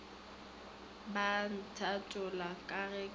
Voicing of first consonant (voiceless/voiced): voiced